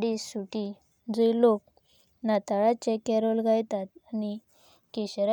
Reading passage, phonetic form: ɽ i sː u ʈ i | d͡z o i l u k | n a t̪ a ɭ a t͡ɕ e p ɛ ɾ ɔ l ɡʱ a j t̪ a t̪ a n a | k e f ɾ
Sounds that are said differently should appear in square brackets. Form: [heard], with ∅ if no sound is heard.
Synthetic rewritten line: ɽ i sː u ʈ i | d͡z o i l [o] k | n a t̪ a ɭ a t͡ɕ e [k] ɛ ɾ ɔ l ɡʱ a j t̪ a t̪ a n [i] | k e [ɕ] ɾ